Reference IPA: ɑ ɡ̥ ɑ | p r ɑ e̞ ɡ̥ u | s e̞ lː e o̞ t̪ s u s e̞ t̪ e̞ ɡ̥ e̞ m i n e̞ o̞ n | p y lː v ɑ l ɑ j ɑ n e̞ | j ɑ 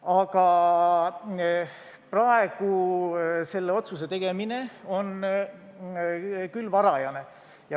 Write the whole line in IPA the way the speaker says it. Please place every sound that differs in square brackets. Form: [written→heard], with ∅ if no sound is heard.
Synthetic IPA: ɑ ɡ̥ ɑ | p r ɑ e̞ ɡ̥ u | s e̞ lː e o̞ t̪ s u s e̞ t̪ e̞ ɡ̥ e̞ m i n e̞ o̞ n | [p→k] y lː v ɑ [l→ɾ] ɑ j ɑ n e̞ | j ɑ

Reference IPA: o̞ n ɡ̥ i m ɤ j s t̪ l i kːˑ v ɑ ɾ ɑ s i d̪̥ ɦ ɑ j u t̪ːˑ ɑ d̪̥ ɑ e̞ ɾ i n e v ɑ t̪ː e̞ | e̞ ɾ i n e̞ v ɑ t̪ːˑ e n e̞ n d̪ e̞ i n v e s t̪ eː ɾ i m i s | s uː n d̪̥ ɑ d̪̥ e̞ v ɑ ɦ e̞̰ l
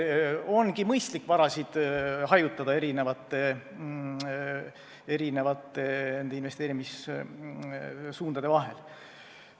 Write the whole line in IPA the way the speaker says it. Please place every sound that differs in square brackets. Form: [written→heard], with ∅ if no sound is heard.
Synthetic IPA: o̞ n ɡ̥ i m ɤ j s t̪ l i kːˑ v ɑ ɾ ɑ s i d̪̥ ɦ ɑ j u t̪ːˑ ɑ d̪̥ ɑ e̞ ɾ i n e v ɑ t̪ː e̞ | e̞ ɾ i n e̞ v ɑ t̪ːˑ e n e̞ n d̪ e̞ i n v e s t̪ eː ɾ i m i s | s uː n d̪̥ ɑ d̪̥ e̞ v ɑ ɦ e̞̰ l

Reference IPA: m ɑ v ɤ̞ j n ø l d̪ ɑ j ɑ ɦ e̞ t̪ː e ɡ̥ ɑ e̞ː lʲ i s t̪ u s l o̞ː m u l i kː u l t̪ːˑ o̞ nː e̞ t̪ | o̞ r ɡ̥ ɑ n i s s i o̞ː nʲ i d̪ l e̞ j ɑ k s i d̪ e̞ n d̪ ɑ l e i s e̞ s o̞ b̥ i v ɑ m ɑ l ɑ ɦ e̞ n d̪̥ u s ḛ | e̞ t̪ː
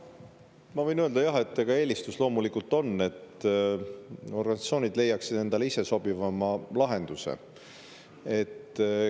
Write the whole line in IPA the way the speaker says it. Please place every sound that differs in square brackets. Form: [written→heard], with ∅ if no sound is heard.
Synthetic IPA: m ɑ v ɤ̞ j n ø l d̪ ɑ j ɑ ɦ e̞ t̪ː e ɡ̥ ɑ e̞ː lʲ i s t̪ u s l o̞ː m u l i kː u l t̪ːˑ o̞ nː e̞ t̪ | o̞ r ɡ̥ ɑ n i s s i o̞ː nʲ i d̪ l e̞ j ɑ k s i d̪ e̞ n d̪ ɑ l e i s e̞ s o̞ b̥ i v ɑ m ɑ l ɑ ɦ e̞ n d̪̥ u s ḛ | e̞ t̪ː

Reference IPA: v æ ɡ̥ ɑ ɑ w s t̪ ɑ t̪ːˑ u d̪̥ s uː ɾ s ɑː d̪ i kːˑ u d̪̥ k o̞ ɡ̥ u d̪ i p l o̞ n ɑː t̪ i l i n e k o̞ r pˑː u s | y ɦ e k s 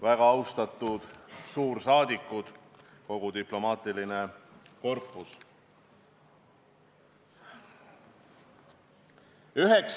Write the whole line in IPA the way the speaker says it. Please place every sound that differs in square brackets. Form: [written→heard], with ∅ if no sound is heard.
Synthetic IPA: v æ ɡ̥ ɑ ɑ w s t̪ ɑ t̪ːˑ u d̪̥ s uː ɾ s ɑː d̪ i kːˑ u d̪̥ k o̞ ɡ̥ u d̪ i p l o̞ [n→m] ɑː t̪ i l i n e k o̞ r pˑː u s | y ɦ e k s

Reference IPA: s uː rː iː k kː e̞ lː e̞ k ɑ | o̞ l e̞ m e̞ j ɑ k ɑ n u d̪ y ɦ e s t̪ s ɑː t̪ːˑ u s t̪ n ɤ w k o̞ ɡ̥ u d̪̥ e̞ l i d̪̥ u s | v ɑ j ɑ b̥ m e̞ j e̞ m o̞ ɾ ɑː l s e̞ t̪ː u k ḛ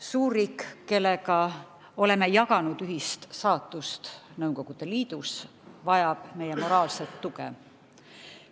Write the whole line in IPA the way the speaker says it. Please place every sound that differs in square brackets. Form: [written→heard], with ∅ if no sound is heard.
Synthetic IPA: s uː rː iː k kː e̞ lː e̞ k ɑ | o̞ l e̞ m e̞ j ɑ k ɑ n u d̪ y ɦ [e→i] s t̪ s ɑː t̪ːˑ u s t̪ n ɤ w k o̞ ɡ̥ u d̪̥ e̞ l [i→iː] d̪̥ u s | v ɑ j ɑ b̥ m e̞ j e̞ m o̞ ɾ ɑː l s e̞ t̪ː u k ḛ

